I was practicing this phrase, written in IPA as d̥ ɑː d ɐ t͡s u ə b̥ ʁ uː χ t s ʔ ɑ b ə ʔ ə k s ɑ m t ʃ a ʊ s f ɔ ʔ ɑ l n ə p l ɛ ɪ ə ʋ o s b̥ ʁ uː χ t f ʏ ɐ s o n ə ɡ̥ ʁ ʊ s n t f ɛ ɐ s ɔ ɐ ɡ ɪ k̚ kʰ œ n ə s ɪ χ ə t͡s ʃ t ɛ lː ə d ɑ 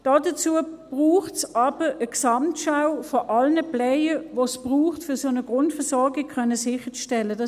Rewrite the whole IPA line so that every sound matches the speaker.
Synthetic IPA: d̥ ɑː d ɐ t͡s u ə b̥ ʁ uː χ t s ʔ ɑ b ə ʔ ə k s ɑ m t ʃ a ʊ f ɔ ʔ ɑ l n ə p l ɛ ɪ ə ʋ o s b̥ ʁ uː χ t f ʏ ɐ s o n ə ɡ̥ ʁ ʊ n t f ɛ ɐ s ɔ ɐ ɡ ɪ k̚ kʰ œ n ə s ɪ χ ə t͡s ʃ t ɛ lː ə d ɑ